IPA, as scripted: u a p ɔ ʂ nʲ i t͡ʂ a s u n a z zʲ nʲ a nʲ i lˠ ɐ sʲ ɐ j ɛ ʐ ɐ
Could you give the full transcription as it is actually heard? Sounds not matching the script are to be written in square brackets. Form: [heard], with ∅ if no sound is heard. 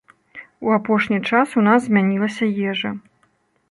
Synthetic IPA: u a p ɔ ʂ nʲ i t͡ʂ a s u n a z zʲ [mʲ] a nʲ i lˠ ɐ sʲ ɐ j ɛ ʐ ɐ